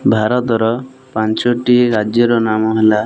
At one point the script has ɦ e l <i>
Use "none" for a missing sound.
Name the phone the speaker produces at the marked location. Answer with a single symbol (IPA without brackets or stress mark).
a